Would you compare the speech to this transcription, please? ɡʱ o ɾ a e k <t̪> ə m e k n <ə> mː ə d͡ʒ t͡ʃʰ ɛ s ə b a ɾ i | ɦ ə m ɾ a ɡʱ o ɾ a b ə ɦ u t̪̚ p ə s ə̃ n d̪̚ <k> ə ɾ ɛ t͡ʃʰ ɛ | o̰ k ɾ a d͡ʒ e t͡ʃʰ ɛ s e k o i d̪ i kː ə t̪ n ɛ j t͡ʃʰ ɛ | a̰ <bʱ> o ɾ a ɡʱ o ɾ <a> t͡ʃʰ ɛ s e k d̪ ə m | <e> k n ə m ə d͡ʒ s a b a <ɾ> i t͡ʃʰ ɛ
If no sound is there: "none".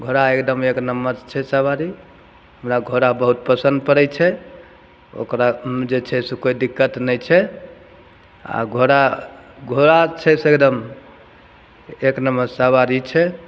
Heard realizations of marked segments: d̪, ə, p, ɡʱ, a, e, ɾ

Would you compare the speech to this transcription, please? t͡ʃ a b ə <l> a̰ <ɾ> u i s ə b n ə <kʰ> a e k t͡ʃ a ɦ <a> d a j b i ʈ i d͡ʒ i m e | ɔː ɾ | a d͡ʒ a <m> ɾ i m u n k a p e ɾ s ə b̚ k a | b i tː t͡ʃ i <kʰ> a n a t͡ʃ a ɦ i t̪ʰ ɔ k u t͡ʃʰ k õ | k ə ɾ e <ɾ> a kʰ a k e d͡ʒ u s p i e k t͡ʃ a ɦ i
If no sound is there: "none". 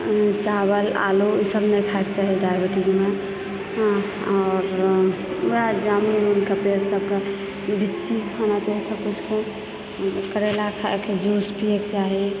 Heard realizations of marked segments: l, l, kʰ, i, m, kʰ, l

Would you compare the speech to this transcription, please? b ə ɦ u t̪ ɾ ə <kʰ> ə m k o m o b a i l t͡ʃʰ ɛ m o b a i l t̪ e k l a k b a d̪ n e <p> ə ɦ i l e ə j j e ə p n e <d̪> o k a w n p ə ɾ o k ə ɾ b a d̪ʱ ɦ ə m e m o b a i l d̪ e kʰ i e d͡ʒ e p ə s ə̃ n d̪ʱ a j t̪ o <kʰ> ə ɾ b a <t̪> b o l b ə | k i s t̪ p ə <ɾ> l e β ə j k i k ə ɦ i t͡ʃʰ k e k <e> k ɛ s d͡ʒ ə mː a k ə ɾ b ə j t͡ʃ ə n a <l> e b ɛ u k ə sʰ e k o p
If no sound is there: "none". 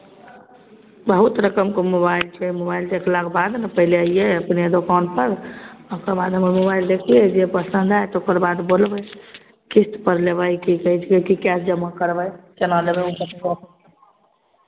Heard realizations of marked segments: k, p, d̪, k, d̪, ɾ, i, l

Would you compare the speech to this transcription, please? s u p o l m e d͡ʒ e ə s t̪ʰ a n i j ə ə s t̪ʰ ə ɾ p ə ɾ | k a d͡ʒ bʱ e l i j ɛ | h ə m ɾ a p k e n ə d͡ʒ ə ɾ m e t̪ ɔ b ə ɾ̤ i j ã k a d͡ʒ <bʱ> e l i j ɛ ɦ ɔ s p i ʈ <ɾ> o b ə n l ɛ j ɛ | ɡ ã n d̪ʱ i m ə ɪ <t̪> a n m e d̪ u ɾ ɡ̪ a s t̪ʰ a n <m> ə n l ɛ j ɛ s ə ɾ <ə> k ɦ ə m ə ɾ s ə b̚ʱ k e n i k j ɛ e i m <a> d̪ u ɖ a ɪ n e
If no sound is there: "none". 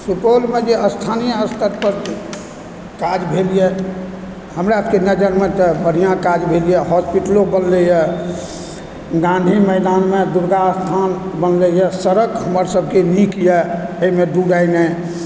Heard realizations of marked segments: bʱ, l, d̪, b, ə, e

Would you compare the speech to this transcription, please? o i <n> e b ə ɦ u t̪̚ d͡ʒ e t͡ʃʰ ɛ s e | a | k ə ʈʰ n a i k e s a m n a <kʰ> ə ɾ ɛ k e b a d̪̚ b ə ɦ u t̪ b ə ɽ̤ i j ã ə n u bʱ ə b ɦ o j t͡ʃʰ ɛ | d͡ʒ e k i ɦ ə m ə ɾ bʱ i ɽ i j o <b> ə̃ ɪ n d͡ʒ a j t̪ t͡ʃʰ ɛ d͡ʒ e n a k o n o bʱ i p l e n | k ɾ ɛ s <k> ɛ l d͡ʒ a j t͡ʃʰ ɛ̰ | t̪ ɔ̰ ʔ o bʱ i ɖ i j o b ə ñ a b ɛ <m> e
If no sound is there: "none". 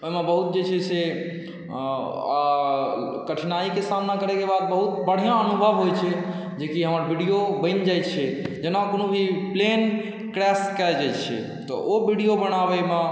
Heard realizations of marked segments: m, k, b, k, m

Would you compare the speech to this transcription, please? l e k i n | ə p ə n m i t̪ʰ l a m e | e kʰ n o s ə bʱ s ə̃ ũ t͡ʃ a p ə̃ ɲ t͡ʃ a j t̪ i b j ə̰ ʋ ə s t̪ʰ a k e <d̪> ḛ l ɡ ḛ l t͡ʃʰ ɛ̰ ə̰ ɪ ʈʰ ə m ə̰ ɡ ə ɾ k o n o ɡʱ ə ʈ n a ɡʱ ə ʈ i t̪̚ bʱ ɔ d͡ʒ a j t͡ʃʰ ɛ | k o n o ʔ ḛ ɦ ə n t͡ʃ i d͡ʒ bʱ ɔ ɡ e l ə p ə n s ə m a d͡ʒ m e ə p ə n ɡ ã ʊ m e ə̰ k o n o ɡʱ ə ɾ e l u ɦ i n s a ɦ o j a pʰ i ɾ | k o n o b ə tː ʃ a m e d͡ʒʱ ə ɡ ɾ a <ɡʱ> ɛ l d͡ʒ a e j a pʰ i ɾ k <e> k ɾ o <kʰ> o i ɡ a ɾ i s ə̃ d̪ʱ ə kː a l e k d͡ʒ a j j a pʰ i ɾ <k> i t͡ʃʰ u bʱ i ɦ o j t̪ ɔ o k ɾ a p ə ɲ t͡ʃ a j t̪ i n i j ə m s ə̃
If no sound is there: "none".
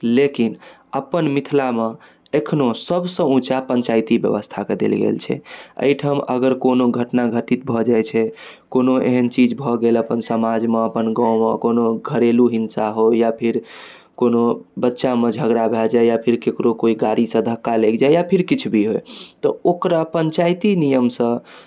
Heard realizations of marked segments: d̪, bʱ, e, k, k

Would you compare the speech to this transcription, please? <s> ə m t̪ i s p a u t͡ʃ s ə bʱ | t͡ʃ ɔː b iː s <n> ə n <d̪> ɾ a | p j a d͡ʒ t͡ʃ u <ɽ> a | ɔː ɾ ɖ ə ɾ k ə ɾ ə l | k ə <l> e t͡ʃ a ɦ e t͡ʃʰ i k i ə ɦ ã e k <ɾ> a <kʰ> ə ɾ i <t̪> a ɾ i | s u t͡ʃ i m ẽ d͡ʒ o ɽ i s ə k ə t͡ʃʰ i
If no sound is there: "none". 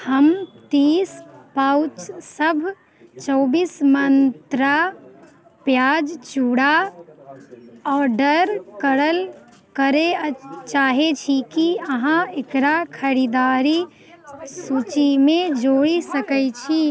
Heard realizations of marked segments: h, m, t̪, ɽ, ɾ, ɾ, kʰ, d̪

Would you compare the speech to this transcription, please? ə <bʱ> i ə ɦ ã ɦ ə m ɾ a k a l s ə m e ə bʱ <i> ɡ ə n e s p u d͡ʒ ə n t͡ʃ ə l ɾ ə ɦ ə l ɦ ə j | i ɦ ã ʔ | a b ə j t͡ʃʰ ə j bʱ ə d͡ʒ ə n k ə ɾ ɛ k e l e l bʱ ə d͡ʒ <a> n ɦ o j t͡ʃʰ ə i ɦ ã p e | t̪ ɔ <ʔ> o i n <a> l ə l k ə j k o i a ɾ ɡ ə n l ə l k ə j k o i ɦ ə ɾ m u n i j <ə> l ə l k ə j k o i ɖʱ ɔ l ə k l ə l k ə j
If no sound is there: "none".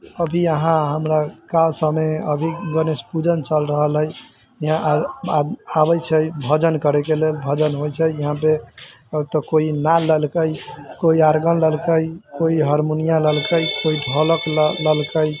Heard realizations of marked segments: bʱ, i, ə, k, a, a

